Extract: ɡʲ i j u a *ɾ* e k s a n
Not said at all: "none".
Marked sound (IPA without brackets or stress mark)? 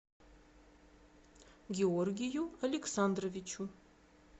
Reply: l